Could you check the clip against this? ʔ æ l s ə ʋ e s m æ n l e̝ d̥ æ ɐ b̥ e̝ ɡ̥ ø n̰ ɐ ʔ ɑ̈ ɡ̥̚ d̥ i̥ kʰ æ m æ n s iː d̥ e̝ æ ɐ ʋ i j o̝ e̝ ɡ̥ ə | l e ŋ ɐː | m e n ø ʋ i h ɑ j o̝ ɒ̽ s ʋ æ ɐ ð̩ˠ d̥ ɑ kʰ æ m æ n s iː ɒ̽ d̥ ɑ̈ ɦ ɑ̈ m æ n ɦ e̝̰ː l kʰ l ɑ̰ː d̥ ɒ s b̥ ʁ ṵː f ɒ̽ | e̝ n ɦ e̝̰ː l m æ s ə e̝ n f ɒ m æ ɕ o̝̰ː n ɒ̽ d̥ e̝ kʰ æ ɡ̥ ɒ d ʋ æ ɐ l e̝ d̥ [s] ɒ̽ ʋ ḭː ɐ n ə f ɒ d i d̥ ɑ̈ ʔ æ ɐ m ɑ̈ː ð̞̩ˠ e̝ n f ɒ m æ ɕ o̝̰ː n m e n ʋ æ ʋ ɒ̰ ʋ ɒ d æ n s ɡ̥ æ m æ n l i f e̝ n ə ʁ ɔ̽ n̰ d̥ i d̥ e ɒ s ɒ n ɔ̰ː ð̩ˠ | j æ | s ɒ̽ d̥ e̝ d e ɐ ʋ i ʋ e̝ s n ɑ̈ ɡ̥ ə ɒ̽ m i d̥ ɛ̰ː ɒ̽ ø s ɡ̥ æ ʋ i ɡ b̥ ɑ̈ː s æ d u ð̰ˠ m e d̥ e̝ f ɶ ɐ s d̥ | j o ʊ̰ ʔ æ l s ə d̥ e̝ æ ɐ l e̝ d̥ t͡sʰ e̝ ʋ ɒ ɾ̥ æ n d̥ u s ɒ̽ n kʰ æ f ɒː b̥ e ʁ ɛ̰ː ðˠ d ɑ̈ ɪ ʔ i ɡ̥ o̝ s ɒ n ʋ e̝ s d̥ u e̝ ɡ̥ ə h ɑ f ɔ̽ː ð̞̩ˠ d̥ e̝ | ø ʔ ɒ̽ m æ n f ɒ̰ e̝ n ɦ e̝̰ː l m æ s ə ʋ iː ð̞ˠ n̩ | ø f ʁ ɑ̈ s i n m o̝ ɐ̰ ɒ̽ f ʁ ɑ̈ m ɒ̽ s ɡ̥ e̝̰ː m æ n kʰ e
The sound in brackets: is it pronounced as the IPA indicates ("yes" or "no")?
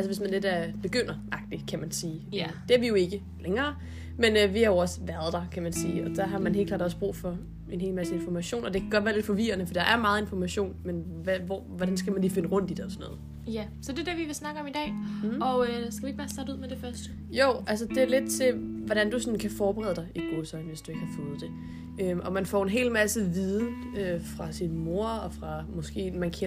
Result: no